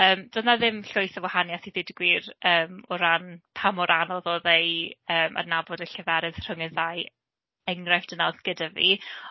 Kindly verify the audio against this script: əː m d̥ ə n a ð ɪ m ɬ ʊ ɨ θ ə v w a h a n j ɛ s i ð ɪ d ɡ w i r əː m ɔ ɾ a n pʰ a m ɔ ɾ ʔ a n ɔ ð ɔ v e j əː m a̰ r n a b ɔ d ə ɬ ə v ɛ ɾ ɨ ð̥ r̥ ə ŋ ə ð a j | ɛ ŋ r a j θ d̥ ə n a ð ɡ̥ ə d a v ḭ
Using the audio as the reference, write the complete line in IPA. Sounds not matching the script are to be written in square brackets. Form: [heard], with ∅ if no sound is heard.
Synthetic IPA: əː m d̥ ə n a ð ɪ m ɬ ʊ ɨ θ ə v w a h a n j [a] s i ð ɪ d ɡ w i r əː m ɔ ɾ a n pʰ a m ɔ ɾ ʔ a n ɔ ð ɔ [ð] e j əː m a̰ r n a b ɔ d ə ɬ ə v ɛ ɾ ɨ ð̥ r̥ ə ŋ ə ð a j | ɛ ŋ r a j [f] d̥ ə n a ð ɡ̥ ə d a v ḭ